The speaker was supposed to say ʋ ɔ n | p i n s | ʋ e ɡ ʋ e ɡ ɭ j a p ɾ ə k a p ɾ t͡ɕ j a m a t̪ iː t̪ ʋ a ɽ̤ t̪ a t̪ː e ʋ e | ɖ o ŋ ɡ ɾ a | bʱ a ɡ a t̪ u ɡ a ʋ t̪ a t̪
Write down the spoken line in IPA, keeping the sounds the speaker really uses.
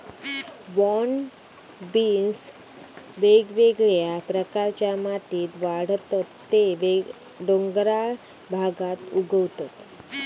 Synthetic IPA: ʋ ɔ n | b i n s | ʋ e ɡ ʋ e ɡ ɭ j a p ɾ ə k a ɾ t͡ɕ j a m a t̪ iː t̪ ʋ a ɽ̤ t̪ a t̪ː e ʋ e | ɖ o ŋ ɡ ɾ a | bʱ a ɡ a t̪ u ɡ ə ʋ t̪ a t̪